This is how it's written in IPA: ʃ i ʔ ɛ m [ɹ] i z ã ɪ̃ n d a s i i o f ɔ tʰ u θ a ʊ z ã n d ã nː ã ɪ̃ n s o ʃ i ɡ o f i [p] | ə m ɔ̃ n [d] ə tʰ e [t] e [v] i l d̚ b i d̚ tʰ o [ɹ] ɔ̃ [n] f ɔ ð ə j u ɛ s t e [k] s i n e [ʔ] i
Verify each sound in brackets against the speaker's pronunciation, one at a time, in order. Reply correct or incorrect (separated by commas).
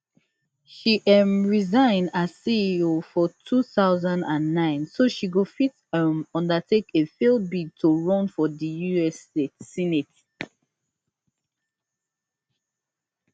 correct, incorrect, correct, incorrect, incorrect, correct, correct, incorrect, incorrect